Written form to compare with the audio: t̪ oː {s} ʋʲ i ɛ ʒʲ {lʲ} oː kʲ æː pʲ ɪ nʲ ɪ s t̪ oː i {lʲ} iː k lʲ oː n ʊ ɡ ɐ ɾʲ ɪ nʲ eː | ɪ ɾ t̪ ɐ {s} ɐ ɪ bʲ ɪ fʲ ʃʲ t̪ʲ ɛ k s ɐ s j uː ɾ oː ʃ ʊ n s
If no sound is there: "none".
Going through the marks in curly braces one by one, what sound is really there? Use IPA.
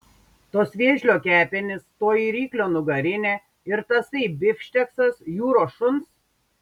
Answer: s, lʲ, ɾʲ, s

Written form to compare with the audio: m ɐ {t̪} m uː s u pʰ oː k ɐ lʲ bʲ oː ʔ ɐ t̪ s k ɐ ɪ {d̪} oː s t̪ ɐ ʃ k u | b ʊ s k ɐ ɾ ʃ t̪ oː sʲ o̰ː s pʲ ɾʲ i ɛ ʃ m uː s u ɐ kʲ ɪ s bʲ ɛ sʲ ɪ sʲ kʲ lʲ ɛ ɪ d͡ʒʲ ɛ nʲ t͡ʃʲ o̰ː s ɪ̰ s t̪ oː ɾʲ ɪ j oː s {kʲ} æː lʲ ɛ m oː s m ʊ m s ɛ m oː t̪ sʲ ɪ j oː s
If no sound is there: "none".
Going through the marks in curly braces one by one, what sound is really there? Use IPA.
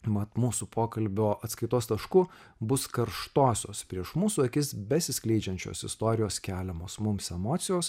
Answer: t̪, t̪, kʲ

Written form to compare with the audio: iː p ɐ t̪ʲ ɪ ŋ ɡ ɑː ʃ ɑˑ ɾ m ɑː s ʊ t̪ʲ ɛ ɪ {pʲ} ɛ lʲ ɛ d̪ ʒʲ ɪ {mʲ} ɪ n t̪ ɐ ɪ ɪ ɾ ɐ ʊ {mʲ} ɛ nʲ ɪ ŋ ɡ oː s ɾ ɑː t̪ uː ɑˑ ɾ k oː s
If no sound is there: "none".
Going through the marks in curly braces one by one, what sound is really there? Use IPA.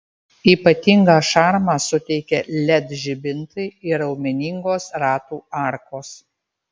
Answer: kʲ, bʲ, mʲ

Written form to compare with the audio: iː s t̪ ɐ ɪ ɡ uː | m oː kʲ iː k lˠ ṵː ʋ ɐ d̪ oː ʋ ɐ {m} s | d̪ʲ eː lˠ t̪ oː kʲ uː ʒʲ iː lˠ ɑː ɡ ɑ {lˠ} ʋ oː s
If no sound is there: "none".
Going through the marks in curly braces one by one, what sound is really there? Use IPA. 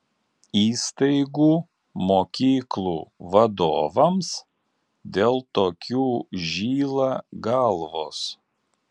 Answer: m, lˠ

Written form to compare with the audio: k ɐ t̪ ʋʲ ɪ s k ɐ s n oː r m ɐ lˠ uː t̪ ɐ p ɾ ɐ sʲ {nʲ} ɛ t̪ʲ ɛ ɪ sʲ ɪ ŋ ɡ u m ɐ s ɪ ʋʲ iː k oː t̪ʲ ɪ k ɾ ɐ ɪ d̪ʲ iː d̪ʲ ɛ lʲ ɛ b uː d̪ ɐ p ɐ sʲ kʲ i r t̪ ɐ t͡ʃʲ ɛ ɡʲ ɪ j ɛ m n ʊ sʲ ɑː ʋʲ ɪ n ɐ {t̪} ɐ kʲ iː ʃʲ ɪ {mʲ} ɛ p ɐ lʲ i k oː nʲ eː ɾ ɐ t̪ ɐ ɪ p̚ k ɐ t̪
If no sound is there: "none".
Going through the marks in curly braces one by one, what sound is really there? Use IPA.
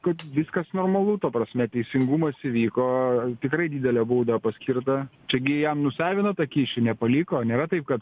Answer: mʲ, t̪, nʲ

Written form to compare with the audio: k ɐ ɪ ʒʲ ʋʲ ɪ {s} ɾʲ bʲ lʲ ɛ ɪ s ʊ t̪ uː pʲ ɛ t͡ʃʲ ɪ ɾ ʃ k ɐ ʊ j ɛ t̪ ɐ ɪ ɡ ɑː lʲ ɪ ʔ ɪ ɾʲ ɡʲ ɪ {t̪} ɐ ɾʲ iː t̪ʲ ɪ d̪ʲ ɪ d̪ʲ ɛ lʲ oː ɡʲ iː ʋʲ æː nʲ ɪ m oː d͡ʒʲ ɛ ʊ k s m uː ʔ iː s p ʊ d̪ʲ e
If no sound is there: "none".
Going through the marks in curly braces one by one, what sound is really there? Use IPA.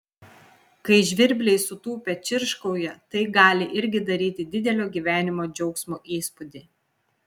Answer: none, d̪

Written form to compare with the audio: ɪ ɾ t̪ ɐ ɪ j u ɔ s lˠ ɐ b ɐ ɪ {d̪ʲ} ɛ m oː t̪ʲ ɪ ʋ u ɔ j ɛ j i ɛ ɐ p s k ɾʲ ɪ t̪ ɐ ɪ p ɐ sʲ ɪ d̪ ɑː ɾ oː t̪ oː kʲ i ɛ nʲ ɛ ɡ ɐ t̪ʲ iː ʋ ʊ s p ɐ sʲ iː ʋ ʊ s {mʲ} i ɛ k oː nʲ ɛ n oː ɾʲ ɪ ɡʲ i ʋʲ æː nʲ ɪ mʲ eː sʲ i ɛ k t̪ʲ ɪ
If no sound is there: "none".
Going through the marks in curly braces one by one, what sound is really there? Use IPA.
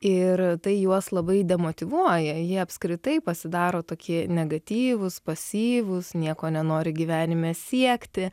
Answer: d̪ʲ, nʲ

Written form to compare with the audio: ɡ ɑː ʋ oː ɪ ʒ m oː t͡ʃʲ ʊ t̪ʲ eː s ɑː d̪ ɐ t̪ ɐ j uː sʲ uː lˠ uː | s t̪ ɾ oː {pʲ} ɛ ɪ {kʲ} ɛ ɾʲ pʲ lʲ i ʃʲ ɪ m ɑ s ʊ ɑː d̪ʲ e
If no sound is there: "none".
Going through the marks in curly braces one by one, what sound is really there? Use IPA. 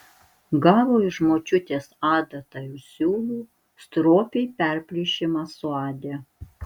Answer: pʲ, pʲ

